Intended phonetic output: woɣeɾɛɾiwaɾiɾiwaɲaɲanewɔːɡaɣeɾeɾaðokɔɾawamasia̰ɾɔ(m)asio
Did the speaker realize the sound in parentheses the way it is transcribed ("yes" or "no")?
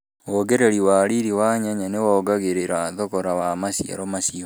yes